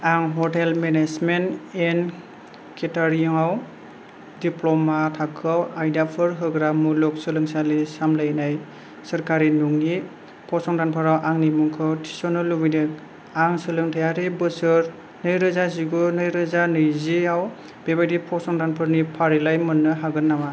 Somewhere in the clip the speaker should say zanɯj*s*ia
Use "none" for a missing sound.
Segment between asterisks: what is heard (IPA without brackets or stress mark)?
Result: z